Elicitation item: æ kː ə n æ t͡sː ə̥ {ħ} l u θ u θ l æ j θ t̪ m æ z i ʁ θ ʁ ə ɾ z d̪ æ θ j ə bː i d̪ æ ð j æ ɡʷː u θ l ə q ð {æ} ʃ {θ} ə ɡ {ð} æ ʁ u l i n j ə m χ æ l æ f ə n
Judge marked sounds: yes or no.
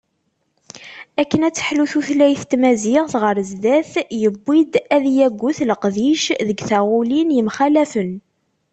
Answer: yes, no, no, no

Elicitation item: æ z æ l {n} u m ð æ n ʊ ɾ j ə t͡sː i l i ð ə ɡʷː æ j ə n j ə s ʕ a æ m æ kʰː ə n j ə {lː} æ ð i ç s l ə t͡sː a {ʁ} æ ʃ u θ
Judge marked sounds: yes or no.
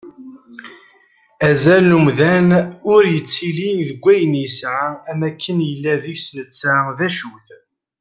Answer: yes, yes, no

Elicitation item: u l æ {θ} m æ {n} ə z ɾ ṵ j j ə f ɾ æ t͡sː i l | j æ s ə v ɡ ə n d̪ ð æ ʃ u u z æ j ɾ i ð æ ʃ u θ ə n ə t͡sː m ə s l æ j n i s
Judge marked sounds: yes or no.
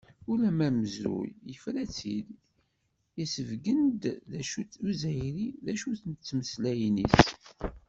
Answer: no, no

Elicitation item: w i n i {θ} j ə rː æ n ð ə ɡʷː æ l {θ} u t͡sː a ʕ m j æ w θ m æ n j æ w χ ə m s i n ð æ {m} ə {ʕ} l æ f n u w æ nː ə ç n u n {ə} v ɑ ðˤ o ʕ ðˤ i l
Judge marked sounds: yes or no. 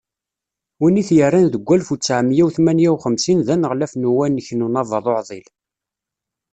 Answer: yes, no, no, no, no

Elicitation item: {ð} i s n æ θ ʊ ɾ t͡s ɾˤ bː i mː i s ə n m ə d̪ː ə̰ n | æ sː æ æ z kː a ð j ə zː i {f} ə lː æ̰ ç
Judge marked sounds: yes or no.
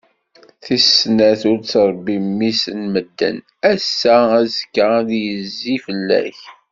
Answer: no, yes

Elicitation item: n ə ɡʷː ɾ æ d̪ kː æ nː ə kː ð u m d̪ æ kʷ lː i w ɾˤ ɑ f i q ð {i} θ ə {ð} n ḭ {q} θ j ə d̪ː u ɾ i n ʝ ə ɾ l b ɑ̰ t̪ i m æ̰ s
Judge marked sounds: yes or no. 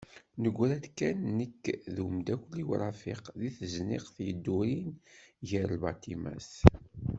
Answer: yes, no, yes

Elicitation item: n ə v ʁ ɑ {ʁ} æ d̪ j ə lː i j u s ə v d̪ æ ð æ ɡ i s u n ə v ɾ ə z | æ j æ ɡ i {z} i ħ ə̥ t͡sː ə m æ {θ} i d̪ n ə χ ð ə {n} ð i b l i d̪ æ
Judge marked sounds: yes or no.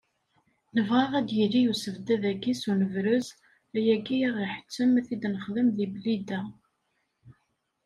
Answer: yes, no, yes, no

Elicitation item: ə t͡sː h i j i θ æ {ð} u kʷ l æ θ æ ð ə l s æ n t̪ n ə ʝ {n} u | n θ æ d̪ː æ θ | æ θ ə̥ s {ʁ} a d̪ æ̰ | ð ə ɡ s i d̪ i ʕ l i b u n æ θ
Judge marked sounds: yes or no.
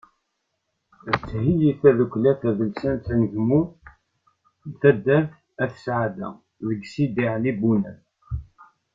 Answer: yes, no, no

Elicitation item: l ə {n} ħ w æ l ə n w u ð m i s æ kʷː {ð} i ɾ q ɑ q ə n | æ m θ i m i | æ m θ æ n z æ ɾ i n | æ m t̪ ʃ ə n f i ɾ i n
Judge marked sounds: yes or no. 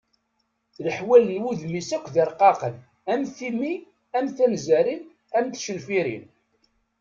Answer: no, yes

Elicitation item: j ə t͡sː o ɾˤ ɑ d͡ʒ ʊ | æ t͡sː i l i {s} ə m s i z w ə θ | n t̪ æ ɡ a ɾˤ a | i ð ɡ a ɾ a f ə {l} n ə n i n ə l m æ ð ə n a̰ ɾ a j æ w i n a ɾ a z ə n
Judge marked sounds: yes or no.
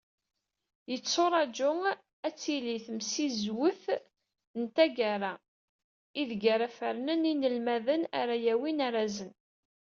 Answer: no, no

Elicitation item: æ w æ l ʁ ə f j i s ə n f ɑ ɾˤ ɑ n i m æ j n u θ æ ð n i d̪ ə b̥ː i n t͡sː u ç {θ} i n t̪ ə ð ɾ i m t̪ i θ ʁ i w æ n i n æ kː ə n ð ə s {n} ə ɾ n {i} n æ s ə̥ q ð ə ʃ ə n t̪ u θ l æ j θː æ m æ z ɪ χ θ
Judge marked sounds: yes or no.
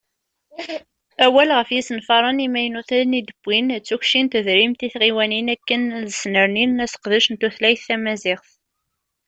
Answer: no, yes, yes

